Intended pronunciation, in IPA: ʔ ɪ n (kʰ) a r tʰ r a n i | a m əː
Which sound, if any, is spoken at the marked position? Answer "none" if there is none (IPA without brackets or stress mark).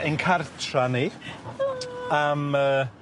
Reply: kʰ